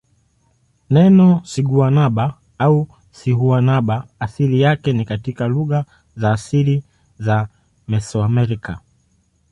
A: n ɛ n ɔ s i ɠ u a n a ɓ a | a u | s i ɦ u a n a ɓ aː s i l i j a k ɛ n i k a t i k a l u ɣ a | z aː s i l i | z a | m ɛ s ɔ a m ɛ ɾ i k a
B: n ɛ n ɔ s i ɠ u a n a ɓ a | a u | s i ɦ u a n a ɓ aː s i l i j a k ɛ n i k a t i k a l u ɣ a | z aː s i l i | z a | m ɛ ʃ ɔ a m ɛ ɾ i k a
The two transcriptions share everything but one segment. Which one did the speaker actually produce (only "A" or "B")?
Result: A